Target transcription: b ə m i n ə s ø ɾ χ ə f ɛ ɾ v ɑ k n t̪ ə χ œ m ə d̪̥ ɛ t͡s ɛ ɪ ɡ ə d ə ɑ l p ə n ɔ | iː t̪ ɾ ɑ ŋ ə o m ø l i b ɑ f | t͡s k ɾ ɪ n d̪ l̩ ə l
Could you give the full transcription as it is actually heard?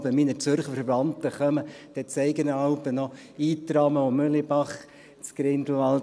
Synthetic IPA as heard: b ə m i n ə t͡s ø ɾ χ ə f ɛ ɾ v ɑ n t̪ ə χ œ m ə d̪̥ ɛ t͡s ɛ ɪ ɡ ə n ə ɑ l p ə n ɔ | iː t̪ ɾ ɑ m ə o m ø l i b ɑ χ | t͡s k ɾ ɪ n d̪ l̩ ɑ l